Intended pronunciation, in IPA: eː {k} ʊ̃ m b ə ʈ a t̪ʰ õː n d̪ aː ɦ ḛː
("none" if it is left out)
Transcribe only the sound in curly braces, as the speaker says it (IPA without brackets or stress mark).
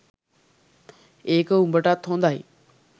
k